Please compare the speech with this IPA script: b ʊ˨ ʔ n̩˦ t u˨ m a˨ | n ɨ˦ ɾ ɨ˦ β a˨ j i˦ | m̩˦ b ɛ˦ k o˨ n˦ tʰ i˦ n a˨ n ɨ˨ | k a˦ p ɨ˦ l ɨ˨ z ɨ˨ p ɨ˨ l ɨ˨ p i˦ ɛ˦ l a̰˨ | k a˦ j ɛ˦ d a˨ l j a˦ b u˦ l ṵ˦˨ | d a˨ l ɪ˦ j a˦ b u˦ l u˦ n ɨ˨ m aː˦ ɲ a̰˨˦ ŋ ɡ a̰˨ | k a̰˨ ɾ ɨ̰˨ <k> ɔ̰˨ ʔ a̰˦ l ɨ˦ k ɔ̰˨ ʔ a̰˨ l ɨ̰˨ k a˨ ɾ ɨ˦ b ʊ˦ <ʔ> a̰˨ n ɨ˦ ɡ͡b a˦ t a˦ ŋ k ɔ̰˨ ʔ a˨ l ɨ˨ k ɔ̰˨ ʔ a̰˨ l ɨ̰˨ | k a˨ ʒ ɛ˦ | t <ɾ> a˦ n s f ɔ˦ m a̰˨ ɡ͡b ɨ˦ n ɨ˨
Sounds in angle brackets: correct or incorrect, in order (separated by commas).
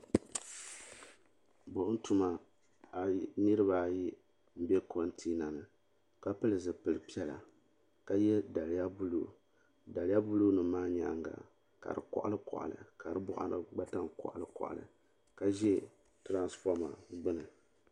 correct, correct, correct